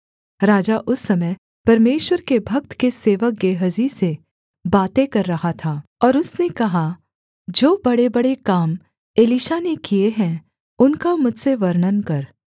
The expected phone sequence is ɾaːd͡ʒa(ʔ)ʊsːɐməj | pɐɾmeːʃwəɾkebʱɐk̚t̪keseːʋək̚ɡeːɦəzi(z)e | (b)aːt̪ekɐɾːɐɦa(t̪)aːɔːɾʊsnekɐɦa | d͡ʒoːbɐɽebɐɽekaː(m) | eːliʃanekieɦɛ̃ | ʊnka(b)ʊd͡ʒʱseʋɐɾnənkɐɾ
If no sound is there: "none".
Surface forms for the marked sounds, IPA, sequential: ʔ, s, b, t̪ʰ, m, m

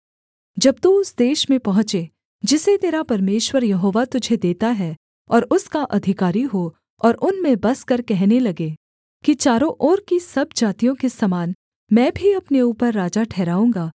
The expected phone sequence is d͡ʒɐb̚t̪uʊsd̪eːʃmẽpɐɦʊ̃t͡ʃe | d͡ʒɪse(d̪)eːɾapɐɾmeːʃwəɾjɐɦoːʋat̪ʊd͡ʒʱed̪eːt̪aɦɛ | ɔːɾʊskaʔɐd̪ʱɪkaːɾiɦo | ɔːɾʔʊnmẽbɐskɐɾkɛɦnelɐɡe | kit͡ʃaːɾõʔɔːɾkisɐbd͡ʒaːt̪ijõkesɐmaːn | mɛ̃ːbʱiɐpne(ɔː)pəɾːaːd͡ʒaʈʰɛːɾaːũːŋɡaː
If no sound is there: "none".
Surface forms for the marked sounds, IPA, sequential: t̪, uː

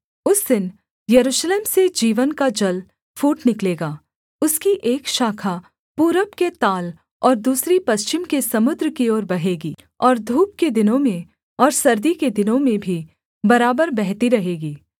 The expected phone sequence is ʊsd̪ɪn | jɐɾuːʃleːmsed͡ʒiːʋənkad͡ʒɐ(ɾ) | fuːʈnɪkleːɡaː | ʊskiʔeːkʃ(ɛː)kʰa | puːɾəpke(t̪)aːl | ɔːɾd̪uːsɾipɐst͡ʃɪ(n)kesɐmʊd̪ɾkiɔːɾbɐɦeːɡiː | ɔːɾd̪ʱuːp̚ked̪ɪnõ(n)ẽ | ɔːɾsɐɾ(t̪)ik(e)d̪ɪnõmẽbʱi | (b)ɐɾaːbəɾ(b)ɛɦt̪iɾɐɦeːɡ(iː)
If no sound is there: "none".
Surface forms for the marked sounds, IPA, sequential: l, aː, t̪, m, m, d̪, e, b, b, iː

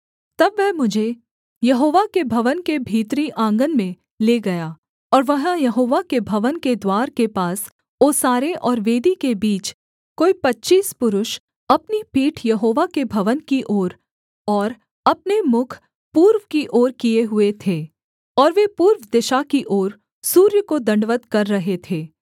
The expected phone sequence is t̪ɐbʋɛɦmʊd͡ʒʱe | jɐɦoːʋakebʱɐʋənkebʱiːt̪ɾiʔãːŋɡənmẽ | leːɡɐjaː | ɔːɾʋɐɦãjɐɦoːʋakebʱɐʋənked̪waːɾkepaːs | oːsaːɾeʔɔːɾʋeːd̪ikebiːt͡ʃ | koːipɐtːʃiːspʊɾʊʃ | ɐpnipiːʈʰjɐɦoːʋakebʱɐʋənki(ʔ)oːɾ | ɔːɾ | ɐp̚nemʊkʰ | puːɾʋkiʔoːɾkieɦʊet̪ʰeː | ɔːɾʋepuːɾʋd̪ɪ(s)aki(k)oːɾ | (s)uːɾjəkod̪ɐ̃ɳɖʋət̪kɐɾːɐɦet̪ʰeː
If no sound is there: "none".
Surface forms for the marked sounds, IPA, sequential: ʔ, ʃ, ʔ, s

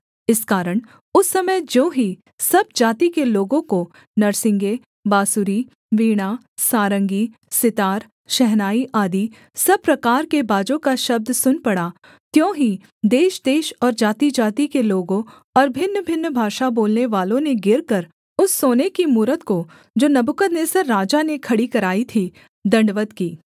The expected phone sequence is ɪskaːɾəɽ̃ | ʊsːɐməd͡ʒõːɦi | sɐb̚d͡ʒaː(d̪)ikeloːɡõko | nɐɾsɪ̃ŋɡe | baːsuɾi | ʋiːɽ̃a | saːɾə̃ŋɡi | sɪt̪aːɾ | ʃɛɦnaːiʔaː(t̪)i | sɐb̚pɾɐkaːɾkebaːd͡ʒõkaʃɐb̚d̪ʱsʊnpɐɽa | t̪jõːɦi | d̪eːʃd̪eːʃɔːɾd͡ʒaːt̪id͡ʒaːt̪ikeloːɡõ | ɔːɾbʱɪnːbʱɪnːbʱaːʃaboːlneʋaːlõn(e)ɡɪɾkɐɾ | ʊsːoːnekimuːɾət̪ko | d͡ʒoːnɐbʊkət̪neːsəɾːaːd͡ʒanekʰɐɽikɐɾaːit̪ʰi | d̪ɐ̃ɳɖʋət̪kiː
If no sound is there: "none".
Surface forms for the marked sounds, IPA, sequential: t̪, d̪, e

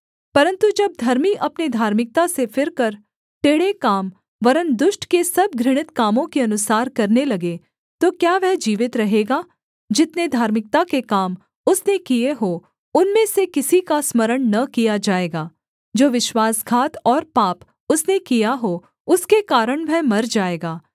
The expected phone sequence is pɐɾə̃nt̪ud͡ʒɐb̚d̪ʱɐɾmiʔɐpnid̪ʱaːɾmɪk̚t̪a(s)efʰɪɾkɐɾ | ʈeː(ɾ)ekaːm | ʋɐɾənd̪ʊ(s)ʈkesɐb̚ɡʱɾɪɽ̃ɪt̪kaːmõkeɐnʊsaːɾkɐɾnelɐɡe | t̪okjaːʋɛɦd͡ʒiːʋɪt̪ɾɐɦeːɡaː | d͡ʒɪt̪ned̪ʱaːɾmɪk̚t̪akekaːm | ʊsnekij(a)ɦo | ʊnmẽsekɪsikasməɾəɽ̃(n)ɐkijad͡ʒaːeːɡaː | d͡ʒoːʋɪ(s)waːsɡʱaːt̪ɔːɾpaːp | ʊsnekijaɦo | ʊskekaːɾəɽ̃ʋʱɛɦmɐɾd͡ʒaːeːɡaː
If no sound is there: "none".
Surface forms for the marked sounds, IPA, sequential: s, ɽ, ʃ, e, n, ʃ

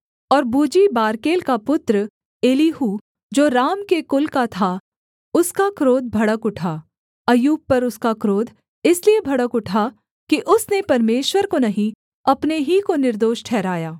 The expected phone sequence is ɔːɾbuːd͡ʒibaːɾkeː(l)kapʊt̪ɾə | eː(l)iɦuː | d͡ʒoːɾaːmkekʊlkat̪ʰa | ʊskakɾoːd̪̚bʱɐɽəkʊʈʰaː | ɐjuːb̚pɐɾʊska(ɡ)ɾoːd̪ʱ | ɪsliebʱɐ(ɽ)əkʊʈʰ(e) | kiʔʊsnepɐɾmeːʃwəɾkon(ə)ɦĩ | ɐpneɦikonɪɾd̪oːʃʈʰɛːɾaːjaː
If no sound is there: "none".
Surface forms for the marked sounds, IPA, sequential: l, l, k, ɽ, a, ɐ

